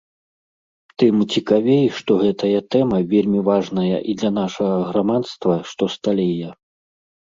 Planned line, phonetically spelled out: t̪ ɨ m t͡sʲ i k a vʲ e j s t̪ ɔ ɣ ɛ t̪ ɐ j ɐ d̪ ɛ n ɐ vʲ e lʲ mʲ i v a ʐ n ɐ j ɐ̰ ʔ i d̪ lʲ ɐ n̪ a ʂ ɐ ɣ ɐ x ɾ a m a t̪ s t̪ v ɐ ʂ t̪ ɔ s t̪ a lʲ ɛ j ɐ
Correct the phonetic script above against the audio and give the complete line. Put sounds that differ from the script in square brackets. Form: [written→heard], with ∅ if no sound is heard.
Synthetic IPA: t̪ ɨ m t͡sʲ i k a vʲ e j [s→ʂ] t̪ ɔ ɣ ɛ t̪ ɐ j ɐ [d̪→t̪] ɛ [n→m] ɐ vʲ e lʲ mʲ i v a ʐ n ɐ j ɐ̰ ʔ i d̪ lʲ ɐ n̪ a ʂ ɐ ɣ ɐ [x→ɣ] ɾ a m a t̪ s t̪ v ɐ ʂ t̪ ɔ s t̪ a lʲ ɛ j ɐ